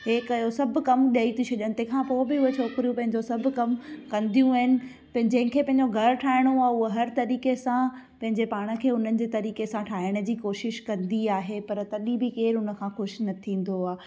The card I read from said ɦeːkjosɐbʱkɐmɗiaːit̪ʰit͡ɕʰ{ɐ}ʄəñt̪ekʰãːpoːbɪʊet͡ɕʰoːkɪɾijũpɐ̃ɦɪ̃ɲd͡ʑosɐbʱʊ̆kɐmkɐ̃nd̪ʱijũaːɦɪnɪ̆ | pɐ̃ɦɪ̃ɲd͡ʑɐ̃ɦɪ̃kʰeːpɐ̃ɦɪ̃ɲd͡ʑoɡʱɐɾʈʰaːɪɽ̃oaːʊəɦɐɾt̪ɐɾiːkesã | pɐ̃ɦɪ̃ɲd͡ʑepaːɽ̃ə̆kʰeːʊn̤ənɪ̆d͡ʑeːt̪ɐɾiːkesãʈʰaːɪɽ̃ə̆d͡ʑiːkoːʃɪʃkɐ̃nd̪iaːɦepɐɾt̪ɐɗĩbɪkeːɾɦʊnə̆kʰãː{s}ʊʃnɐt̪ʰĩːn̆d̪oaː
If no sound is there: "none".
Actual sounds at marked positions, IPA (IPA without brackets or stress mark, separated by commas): ɐ, x